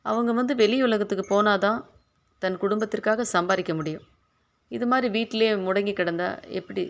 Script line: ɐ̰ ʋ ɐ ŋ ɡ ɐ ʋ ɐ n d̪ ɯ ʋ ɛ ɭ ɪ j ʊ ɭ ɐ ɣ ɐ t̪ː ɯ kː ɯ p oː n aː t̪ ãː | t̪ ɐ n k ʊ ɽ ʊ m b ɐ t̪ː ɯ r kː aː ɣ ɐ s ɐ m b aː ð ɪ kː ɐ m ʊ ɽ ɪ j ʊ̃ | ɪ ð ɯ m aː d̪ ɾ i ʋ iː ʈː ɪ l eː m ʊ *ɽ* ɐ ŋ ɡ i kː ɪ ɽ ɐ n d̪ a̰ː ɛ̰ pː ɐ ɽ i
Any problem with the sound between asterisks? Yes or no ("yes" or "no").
no